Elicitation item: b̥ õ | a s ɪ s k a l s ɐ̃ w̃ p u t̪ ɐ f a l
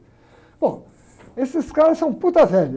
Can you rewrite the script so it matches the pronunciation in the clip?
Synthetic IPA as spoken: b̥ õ | e s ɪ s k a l s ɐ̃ w̃ p u t̪ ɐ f ɛ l